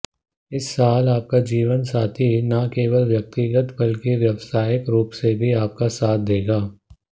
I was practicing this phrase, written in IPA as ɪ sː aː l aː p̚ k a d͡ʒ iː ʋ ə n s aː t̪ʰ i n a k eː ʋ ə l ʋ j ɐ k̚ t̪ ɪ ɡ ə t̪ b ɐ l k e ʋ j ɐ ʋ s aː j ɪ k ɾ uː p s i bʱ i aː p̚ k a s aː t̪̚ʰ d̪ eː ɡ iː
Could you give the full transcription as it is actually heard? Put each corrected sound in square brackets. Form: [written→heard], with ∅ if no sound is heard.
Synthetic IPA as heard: ɪ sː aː l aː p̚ k a d͡ʒ iː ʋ ə n s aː t̪ʰ i n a k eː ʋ ə l ʋ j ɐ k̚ t̪ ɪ ɡ ə t̪ b ɐ l k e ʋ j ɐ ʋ s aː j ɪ k ɾ uː p s [i→e] bʱ i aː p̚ k a s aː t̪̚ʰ d̪ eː ɡ [iː→aː]